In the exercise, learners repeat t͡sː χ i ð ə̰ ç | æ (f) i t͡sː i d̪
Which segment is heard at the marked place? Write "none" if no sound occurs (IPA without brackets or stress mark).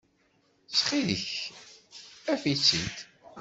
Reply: f